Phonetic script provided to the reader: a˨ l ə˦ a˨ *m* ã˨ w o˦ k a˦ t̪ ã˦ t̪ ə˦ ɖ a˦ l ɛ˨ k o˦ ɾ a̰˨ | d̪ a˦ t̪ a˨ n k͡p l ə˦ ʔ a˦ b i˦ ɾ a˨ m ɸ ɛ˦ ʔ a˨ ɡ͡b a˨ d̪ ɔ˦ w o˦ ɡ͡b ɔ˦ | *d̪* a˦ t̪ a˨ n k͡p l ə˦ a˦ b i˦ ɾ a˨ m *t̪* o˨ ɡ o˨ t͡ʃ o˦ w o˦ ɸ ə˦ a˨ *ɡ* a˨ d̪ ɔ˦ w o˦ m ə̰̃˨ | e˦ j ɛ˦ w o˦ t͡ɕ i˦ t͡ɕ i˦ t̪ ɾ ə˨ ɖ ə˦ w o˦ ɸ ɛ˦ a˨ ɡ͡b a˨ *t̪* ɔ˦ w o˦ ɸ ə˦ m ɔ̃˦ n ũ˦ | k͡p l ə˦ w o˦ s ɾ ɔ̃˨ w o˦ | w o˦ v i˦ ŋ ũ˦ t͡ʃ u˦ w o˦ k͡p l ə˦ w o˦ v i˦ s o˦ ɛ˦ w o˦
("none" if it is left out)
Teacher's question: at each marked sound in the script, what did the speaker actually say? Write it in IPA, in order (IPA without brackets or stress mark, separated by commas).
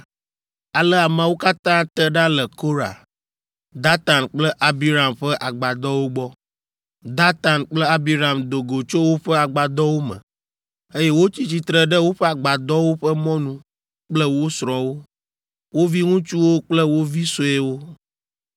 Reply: m, d̪, d̪, ɡ͡b, d̪